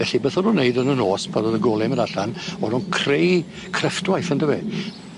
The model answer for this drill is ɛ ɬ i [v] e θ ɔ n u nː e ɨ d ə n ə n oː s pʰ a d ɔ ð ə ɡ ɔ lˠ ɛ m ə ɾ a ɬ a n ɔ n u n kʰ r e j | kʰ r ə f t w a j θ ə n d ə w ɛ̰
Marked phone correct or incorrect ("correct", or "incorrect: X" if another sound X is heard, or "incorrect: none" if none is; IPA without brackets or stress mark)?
incorrect: b